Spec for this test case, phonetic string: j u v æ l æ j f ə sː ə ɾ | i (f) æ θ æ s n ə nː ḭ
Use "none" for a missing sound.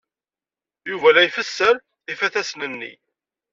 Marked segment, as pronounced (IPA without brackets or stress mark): f